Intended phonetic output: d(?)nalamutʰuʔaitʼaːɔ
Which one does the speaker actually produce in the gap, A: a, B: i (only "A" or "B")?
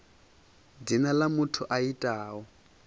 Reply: B